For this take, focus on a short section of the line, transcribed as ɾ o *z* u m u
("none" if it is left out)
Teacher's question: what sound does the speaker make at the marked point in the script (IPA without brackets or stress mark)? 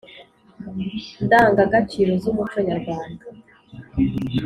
z